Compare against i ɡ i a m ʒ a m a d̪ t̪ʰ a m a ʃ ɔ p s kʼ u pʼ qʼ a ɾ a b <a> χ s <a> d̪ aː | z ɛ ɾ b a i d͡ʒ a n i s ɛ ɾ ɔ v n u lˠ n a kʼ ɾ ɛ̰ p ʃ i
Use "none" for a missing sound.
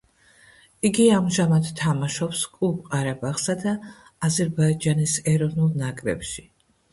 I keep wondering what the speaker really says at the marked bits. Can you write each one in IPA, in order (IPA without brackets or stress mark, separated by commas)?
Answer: a, a